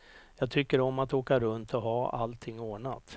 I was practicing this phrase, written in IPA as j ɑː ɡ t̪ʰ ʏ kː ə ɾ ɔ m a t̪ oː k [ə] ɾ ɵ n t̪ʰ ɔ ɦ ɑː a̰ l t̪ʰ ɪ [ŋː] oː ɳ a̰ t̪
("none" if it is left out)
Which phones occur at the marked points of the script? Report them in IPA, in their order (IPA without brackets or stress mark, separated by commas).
a, ŋː